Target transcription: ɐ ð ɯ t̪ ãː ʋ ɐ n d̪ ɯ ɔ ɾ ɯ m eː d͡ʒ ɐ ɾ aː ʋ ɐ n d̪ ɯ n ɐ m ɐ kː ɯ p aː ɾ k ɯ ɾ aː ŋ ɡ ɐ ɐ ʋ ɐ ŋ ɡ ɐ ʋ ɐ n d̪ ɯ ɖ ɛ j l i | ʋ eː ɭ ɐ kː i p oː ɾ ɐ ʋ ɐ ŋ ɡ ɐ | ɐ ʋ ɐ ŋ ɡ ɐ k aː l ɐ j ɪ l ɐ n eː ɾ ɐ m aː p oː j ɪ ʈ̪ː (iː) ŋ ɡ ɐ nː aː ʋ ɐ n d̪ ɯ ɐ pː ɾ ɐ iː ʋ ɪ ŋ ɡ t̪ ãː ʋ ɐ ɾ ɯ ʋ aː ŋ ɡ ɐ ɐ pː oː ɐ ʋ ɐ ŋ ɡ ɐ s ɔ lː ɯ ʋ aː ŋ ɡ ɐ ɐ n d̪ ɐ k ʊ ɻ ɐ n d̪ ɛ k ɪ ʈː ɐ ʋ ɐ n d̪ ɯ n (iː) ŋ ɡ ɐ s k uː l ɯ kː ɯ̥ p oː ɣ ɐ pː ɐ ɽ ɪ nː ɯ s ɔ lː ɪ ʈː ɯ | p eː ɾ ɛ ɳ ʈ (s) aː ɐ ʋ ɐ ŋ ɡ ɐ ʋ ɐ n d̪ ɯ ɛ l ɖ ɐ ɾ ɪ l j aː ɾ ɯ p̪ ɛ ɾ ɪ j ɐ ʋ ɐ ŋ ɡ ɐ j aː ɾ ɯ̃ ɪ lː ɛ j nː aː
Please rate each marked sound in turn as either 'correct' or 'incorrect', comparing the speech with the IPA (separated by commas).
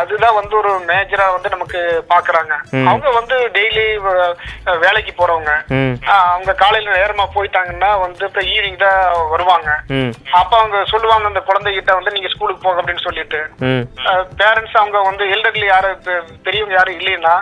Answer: incorrect, correct, correct